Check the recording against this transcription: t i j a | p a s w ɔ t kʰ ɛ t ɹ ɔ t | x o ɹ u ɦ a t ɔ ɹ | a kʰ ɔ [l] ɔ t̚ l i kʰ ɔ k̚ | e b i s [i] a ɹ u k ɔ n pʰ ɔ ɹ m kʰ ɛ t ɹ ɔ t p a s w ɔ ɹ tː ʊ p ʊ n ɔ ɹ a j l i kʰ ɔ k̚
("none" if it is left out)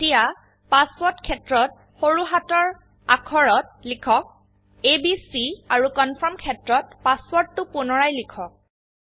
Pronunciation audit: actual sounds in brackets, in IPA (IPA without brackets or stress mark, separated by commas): ɹ, i